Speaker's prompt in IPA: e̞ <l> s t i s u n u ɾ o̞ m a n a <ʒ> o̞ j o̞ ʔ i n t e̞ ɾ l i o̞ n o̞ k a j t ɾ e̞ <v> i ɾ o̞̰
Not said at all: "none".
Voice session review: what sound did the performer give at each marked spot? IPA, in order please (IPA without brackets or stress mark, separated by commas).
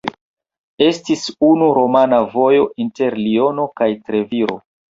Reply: none, v, v